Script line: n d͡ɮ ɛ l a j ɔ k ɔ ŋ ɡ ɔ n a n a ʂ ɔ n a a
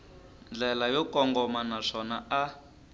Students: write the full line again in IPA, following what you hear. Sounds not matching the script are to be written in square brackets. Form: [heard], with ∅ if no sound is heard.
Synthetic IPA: n d͡ɮ ɛ l a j ɔ k ɔ ŋ ɡ ɔ [m] a n a ʂ ɔ n a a